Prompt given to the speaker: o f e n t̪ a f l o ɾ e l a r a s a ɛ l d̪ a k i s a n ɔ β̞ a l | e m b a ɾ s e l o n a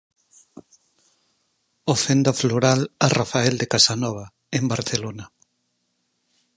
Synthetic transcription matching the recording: o f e n d̪ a f l o ɾ a l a r a f a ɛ l d̪ e k a s a n ɔ β̞ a | e m b a ɾ θ e l o n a